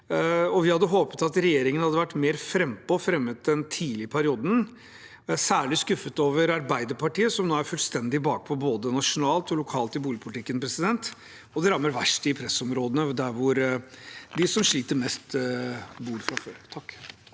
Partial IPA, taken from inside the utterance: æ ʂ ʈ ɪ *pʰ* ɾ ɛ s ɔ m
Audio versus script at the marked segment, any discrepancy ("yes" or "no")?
no